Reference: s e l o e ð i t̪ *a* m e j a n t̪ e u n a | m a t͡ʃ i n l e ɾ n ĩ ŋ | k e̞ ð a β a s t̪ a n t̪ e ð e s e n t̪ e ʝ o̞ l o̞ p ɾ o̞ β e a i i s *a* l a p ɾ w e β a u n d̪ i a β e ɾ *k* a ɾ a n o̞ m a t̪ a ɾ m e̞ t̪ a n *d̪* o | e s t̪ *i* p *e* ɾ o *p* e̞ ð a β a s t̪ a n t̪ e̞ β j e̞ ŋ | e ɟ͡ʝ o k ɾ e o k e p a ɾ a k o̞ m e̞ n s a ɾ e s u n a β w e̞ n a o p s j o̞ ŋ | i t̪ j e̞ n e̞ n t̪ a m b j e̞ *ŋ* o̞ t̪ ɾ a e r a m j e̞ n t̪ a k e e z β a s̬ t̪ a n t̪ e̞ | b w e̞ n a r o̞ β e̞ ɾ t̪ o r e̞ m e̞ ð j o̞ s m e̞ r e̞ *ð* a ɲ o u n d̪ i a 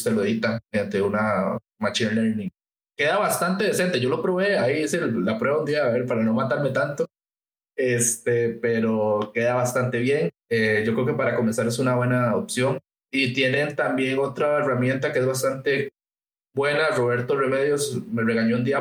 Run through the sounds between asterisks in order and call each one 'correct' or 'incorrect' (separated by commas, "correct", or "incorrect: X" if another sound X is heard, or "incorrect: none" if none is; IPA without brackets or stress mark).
correct, incorrect: e, incorrect: p, incorrect: t̪, incorrect: e, correct, incorrect: k, correct, incorrect: ɣ